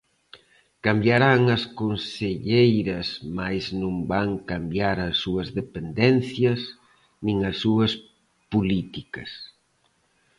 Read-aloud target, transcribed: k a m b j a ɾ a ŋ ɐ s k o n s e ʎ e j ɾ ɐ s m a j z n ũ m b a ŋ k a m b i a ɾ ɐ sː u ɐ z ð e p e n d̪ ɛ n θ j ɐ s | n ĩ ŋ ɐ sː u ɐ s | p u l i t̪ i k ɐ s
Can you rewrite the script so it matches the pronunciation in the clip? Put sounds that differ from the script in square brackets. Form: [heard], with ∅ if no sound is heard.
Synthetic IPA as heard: k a m b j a ɾ a ŋ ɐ s k o n s e ʎ e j ɾ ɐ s m a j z n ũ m b a ŋ k a m b [j] a ɾ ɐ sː u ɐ z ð e p e n d̪ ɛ n θ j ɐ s | n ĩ ŋ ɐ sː u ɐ s | p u l i t̪ i k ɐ s